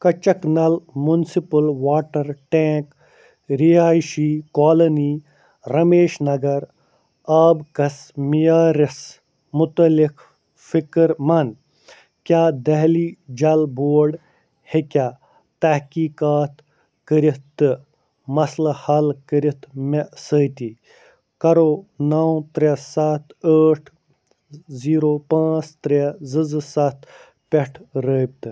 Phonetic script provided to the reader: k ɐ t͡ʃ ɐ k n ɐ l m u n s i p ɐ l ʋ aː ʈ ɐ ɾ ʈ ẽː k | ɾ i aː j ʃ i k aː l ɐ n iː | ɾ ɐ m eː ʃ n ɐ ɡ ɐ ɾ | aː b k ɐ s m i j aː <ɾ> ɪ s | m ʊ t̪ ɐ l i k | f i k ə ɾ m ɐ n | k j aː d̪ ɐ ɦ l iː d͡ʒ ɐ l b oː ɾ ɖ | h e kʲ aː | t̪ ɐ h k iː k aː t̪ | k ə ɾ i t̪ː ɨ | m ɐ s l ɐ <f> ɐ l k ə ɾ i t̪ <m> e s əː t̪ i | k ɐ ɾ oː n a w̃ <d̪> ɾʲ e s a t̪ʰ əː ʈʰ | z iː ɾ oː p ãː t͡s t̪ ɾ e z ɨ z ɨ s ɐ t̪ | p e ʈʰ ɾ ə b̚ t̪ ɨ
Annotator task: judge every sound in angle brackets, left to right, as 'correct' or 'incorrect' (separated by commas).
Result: correct, incorrect, correct, incorrect